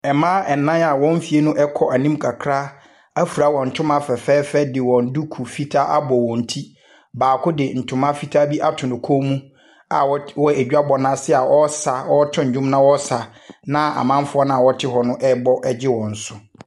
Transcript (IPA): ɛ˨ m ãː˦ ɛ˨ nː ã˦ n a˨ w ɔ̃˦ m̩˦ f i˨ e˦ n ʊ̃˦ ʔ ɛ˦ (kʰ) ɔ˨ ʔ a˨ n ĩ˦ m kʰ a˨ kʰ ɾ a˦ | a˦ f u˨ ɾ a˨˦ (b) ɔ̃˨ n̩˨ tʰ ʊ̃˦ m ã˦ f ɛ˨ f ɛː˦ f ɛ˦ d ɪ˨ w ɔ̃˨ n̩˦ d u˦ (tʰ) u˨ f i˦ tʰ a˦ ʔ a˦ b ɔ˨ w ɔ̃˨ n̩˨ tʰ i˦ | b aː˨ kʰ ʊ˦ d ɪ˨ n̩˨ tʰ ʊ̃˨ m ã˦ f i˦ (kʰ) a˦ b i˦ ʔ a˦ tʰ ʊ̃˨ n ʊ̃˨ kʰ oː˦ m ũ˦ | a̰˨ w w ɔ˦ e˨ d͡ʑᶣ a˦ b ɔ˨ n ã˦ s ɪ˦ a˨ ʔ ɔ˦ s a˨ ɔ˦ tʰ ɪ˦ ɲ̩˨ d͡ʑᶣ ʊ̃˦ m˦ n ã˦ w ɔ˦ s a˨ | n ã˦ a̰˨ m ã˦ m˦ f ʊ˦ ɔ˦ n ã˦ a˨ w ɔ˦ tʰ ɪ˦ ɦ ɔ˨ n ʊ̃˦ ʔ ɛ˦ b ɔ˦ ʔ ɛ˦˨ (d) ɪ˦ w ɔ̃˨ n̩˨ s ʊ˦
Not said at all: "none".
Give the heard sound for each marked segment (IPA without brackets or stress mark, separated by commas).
kʰ, w, kʰ, tʰ, d͡ʑ